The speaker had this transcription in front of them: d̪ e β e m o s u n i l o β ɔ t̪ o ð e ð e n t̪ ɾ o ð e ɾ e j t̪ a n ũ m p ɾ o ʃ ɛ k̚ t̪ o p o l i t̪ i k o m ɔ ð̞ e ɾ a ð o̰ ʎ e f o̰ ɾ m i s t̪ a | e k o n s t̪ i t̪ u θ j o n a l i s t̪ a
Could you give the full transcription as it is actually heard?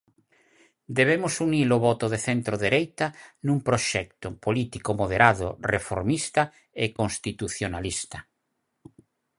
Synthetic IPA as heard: d̪ e β e m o s u n i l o β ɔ t̪ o ð e θ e n t̪ ɾ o ð e ɾ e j t̪ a n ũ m p ɾ o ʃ ɛ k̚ t̪ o p o l i t̪ i k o m o ð̞ e ɾ a ð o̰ r e f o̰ ɾ m i s t̪ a | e k o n s t̪ i t̪ u θ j o n a l i s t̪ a